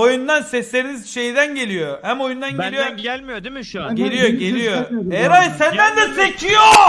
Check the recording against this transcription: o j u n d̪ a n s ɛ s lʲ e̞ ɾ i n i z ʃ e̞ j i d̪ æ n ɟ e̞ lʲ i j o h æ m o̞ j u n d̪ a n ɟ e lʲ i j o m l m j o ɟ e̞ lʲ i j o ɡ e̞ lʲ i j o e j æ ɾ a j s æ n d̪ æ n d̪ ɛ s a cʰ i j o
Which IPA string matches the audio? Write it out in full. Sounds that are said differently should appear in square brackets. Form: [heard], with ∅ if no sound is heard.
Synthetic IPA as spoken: o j u n d̪ a n s ɛ s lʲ e̞ ɾ i n i z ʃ e̞ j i d̪ æ n ɟ e̞ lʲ i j o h æ m o̞ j u n d̪ a n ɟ e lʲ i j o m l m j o ɟ e̞ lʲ i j o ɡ e̞ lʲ i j o e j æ ɾ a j s æ n d̪ æ n d̪ ɛ s [e] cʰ i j o